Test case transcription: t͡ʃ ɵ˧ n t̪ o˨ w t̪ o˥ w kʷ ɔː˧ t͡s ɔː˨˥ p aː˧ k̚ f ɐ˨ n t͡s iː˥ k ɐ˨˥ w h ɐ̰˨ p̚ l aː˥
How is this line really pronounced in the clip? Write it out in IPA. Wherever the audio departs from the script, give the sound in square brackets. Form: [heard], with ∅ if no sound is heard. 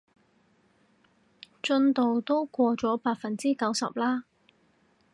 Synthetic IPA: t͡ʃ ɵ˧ n t̪ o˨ w t̪ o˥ w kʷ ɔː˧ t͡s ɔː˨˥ p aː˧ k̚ f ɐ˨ n t͡s iː˥ k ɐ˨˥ w [s] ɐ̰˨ p̚ l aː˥